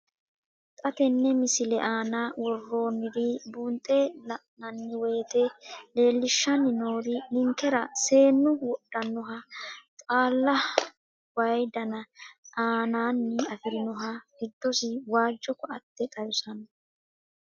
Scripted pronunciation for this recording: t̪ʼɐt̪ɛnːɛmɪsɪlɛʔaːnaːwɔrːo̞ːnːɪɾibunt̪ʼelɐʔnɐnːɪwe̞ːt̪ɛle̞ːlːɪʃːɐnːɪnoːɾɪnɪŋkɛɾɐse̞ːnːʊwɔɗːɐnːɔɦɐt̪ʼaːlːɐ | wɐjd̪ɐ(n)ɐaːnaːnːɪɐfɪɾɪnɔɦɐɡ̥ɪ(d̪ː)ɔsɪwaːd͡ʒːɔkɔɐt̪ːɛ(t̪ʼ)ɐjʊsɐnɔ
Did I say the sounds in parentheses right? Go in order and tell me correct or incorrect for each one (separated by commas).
correct, correct, correct